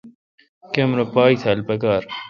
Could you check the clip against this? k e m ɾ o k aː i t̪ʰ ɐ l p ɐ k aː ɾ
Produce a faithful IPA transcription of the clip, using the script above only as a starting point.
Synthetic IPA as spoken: k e m ɾ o p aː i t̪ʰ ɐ l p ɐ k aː ɾ